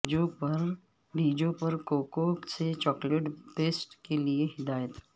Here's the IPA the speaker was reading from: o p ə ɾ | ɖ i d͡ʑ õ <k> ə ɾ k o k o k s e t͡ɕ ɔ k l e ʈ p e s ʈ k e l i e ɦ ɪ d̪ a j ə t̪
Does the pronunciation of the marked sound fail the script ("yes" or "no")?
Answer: yes